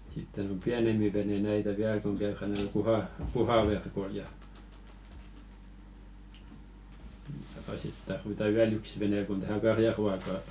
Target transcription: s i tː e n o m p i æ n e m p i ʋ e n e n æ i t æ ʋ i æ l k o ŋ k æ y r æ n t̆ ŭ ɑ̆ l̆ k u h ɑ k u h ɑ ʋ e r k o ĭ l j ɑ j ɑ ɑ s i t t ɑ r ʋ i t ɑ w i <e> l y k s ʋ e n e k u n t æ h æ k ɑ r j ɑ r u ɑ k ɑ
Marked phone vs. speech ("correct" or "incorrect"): incorrect